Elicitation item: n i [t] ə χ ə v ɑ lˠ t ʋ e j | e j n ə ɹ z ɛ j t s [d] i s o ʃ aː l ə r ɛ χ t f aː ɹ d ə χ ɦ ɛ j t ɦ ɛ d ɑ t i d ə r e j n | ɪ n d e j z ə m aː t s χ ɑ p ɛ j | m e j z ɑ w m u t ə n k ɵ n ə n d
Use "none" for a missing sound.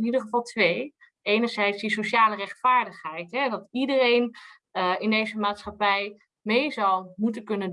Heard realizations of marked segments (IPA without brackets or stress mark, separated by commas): d, d